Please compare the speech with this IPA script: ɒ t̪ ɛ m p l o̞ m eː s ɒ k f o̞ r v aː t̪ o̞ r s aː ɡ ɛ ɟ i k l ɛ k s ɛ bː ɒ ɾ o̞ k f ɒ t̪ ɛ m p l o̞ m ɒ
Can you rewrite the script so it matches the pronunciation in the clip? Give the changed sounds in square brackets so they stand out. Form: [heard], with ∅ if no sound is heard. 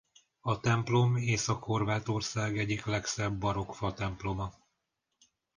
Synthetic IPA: ɒ t̪ ɛ m p l o̞ m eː s ɒ k [h] o̞ r v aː t̪ o̞ r s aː ɡ ɛ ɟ i k l ɛ k s ɛ bː ɒ ɾ o̞ k f ɒ t̪ ɛ m p l o̞ m ɒ